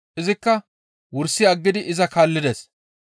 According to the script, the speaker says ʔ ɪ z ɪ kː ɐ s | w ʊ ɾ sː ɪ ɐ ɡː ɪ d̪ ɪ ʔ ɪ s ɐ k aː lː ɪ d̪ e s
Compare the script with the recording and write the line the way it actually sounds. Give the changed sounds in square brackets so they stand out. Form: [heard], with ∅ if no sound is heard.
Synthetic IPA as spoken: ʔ ɪ z ɪ kː ɐ [∅] | w ʊ ɾ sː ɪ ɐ ɡː ɪ d̪ ɪ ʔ ɪ [z] ɐ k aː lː ɪ d̪ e s